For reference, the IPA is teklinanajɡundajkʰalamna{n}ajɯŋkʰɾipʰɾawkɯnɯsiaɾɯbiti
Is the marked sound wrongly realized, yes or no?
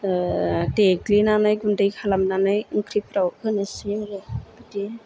no